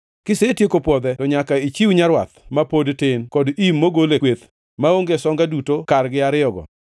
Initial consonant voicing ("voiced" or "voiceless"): voiceless